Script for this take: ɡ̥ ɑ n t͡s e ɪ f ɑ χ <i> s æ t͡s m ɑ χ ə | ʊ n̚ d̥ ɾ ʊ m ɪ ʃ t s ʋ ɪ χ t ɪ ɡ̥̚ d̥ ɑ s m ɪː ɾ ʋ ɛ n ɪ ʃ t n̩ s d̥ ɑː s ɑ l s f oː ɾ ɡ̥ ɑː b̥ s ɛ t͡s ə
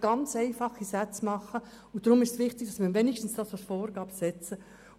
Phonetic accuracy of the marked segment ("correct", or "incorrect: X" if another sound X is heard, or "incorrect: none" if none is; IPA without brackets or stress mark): correct